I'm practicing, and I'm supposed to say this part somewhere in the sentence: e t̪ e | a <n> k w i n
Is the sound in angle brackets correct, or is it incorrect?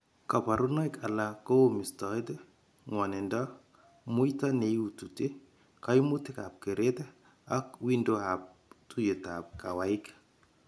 incorrect: none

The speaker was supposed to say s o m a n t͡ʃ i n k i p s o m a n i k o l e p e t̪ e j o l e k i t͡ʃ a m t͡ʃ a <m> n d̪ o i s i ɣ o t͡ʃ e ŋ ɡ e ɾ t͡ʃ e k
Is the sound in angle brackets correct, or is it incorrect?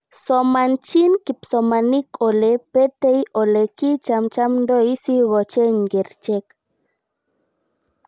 correct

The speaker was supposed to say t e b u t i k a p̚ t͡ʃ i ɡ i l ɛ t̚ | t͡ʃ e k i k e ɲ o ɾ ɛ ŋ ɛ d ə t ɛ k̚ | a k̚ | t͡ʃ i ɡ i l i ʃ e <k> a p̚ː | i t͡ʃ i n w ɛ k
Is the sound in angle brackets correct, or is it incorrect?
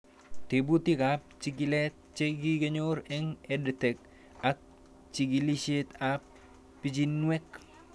incorrect: t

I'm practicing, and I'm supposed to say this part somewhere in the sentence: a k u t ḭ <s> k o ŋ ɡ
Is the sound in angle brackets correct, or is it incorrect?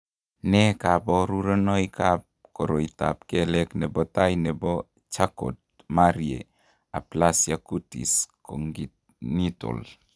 correct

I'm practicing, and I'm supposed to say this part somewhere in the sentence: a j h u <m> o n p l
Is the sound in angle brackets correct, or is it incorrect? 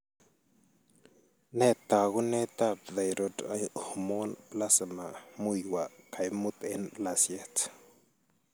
correct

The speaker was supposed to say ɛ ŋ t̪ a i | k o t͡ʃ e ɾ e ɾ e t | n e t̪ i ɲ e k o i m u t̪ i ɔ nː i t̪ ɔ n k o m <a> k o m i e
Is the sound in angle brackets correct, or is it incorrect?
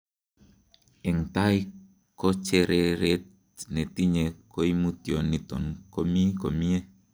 incorrect: i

